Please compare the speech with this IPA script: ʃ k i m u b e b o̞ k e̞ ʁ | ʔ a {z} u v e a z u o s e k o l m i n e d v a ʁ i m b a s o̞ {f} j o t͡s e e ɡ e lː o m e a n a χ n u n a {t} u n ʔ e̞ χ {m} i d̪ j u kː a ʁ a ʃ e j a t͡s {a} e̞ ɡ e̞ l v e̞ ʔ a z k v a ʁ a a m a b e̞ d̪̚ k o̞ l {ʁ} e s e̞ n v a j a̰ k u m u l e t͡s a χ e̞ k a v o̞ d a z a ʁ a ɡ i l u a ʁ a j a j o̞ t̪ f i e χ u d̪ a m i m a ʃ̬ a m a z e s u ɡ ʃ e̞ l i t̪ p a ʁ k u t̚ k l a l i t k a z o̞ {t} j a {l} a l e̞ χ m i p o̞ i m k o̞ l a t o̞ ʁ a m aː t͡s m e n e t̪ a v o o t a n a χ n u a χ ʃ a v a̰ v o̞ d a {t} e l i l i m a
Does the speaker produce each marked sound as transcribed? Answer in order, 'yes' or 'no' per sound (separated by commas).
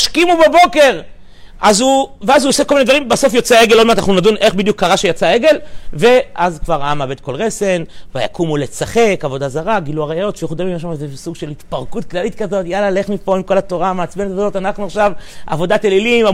yes, yes, no, no, yes, yes, yes, yes, yes